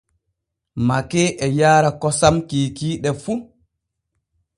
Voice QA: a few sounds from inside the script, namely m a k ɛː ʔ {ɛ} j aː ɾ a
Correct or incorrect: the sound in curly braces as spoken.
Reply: correct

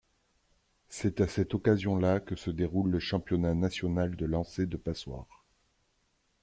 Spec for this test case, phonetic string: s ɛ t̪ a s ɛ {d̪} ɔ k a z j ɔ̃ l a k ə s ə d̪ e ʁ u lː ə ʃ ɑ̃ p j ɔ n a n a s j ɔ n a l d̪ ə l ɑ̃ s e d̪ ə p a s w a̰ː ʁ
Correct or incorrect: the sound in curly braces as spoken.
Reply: incorrect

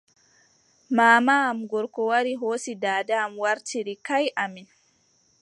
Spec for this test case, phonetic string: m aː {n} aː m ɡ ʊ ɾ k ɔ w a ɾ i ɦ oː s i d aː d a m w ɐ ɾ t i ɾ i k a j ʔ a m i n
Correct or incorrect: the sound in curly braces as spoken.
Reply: incorrect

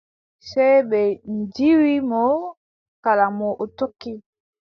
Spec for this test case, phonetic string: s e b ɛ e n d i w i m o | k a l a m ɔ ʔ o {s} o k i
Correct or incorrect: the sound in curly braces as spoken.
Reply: incorrect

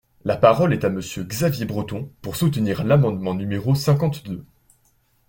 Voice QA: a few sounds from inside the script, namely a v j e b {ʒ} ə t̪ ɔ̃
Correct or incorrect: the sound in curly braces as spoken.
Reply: incorrect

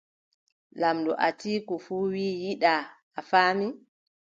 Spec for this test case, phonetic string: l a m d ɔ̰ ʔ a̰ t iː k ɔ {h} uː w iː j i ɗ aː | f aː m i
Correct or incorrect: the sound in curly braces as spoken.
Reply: incorrect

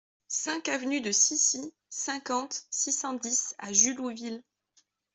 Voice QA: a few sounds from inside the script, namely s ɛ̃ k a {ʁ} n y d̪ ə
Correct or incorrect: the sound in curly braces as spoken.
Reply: incorrect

